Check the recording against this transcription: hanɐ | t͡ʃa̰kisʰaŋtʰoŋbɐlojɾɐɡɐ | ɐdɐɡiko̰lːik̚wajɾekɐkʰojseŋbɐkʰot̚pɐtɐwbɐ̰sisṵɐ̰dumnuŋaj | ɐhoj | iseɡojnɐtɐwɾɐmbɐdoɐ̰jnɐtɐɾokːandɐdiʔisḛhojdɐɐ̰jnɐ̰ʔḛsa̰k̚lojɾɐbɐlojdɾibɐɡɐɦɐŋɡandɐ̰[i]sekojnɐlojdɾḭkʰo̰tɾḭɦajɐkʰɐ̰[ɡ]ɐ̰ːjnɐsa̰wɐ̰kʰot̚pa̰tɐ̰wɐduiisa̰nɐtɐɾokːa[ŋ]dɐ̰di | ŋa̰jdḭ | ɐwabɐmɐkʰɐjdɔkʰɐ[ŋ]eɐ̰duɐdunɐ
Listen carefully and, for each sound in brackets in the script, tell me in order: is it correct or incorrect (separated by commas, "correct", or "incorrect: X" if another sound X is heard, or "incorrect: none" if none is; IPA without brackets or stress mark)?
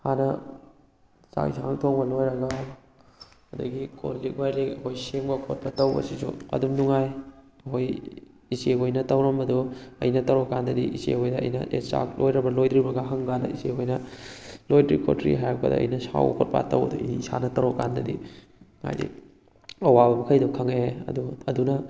correct, incorrect: d, incorrect: n, correct